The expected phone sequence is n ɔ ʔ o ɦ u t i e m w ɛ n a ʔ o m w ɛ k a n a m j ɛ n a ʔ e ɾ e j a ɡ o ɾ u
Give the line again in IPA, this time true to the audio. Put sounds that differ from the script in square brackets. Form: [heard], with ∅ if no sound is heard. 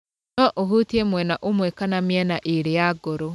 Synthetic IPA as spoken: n ɔ ʔ o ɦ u t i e m w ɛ n a ʔ o m w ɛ k a n a m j ɛ n a ʔ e ɾ e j a ɡ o ɾ [o]